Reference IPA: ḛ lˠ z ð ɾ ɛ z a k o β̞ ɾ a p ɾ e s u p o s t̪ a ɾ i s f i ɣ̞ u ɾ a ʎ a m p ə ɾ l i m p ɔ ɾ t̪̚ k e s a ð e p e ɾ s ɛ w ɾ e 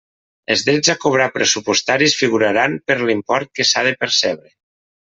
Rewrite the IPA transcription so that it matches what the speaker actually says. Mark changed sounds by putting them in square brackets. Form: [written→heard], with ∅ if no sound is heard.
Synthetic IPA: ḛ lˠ z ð ɾ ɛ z a k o β̞ ɾ a p ɾ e s u p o s t̪ a ɾ i s f i ɣ̞ u ɾ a [ʎ→ɾ] a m p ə ɾ l i m p ɔ ɾ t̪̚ k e s a ð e p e ɾ s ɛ [w→β] ɾ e